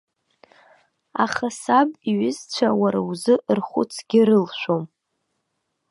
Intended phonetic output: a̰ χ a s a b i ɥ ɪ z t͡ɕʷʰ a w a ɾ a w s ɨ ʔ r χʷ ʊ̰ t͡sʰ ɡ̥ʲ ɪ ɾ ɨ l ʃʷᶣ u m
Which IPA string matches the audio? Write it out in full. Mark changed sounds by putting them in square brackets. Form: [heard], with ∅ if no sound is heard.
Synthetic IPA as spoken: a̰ χ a s a b i ɥ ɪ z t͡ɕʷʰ a w a ɾ a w [z] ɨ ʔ r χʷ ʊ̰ t͡sʰ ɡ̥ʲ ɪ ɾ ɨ l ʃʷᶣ [o] m